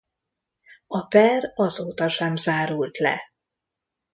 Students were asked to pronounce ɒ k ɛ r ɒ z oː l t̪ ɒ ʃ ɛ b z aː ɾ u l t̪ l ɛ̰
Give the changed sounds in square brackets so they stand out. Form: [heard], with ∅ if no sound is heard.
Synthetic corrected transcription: ɒ [p] ɛ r ɒ z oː [∅] t̪ ɒ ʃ ɛ [m] z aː ɾ u l t̪ l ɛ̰

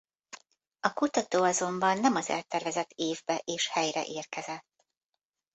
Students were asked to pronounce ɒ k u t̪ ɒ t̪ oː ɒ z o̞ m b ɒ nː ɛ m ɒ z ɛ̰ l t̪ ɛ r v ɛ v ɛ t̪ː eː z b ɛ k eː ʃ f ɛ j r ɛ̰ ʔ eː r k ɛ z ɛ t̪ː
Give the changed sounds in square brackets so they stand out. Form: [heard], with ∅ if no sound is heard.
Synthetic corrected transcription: ɒ k u t̪ ɒ t̪ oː ɒ z o̞ m b ɒ nː ɛ m ɒ z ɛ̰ l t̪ ɛ r v ɛ [z] ɛ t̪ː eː [v] b ɛ [ʔ] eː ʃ [h] ɛ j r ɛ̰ ʔ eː r k ɛ z ɛ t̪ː

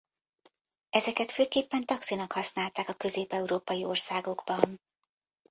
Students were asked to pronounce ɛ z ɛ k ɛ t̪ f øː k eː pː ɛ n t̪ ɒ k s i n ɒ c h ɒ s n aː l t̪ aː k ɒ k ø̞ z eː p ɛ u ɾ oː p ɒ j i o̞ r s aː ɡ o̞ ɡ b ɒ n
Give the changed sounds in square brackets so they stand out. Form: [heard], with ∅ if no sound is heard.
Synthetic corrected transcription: ɛ z ɛ k ɛ t̪ f øː k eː pː ɛ n t̪ ɒ k s i n ɒ [k] h ɒ s n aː l t̪ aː k ɒ k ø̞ z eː p ɛ u ɾ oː p ɒ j i o̞ r s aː ɡ o̞ ɡ b ɒ n

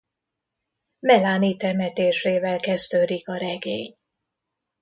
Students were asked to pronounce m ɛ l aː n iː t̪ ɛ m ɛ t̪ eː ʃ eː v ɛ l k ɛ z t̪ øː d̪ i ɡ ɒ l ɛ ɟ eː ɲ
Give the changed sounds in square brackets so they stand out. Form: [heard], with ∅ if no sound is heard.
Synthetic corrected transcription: m ɛ l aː n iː t̪ ɛ m ɛ t̪ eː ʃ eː v ɛ l k ɛ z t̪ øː d̪ i [k] ɒ [ɾ] ɛ [ɡ] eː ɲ

